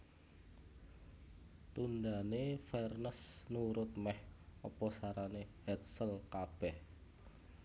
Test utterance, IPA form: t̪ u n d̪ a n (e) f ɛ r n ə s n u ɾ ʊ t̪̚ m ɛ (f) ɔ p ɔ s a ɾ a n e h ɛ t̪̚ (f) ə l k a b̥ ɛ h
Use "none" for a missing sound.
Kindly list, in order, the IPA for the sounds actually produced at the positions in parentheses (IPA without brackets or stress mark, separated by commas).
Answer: e, h, s